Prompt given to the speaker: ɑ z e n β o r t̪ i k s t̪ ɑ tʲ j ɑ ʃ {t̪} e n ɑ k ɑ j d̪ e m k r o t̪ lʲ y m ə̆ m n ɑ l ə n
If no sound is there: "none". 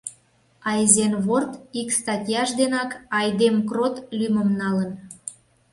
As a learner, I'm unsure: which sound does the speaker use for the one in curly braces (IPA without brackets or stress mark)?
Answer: d̪